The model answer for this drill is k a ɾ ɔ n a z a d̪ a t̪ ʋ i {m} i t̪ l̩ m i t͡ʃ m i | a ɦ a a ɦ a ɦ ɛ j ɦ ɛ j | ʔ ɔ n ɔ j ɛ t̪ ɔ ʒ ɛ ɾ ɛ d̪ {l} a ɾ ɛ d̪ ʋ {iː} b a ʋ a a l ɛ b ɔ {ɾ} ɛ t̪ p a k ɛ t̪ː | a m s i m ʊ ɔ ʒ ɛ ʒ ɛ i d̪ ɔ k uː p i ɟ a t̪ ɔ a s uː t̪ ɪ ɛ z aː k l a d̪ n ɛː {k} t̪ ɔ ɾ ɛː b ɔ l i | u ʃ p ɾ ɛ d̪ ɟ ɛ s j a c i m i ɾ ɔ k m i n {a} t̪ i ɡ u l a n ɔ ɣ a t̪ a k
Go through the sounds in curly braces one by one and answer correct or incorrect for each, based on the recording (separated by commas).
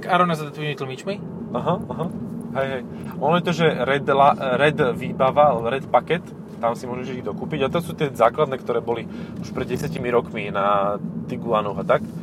correct, correct, correct, correct, correct, correct